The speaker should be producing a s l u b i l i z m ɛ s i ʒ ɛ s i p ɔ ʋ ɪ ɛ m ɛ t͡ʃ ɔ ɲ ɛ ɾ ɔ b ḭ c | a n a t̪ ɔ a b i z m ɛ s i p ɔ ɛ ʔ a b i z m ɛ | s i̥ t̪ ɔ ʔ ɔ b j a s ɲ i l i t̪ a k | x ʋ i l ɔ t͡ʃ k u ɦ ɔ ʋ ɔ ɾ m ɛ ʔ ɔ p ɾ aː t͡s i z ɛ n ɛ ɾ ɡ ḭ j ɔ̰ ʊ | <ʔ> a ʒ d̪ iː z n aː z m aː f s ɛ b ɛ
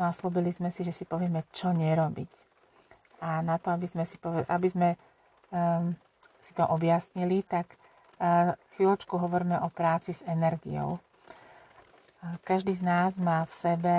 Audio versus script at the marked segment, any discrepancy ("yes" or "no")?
yes